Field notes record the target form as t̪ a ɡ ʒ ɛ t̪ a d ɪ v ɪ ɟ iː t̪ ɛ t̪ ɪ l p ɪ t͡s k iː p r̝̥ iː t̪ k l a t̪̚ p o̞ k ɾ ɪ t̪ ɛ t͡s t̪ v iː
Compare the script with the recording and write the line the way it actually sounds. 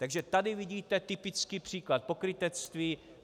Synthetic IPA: t̪ a ɡ ʒ ɛ t̪ a d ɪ v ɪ ɟ iː t̪ ɛ t̪ ɪ p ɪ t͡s k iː p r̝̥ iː k l a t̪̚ p o̞ k ɾ ɪ t̪ ɛ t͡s t̪ v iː